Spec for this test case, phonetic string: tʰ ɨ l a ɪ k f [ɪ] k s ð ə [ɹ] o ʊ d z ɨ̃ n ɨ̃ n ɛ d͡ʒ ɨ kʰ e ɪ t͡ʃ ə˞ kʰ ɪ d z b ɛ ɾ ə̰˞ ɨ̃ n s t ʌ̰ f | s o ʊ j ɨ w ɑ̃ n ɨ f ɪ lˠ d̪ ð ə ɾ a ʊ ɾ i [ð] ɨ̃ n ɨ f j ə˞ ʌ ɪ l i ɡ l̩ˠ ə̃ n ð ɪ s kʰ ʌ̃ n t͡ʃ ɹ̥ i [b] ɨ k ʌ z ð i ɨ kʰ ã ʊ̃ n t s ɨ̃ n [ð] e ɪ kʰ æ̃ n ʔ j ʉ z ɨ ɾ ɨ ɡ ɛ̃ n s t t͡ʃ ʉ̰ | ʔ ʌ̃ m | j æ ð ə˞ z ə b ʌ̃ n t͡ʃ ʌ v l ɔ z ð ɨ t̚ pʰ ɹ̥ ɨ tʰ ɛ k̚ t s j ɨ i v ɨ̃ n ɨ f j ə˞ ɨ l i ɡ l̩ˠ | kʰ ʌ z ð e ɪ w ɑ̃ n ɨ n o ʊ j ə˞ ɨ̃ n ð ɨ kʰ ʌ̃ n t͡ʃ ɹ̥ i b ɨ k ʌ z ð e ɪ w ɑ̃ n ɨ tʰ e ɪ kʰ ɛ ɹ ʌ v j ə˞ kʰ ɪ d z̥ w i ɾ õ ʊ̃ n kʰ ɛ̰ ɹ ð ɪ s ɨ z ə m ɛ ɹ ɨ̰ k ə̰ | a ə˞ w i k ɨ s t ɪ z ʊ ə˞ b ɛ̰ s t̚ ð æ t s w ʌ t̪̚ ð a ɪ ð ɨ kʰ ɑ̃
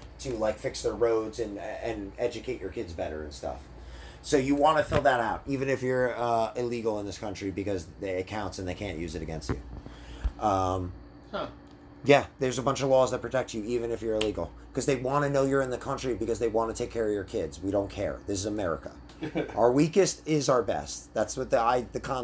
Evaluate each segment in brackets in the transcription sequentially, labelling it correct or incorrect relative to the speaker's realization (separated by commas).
correct, correct, incorrect, correct, correct